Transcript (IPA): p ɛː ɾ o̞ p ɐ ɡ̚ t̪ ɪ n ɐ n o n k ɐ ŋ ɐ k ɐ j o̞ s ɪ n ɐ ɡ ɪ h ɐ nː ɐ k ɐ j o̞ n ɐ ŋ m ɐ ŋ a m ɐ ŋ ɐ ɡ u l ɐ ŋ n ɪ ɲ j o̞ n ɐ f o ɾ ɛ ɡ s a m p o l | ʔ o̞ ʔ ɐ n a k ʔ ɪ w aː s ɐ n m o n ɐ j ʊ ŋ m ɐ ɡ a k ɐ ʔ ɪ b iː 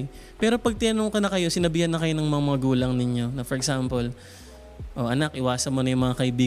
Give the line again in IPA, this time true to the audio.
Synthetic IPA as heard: p ɛː ɾ o̞ p ɐ ɡ̚ t̪ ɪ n ɐ n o ŋ k ɐ n ɐ k ɐ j o̞ s ɪ n ɐ b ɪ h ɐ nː ɐ k ɐ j o̞ n ɐ ŋ m ɐ ŋ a m ɐ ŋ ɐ ɡ uː l ɐ ŋ n ɪ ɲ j o̞ n ɐ f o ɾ ɛ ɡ s a m p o l | ʔ o̞ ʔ ɐ n a k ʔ ɪ w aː s ɐ n m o n ɐ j ʊ ŋ m ɐ ŋ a k ɐ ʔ ɪ b iː